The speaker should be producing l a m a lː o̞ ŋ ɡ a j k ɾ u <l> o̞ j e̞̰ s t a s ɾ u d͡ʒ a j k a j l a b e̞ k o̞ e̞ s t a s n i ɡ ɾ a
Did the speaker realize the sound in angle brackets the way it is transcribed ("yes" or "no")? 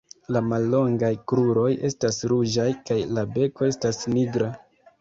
no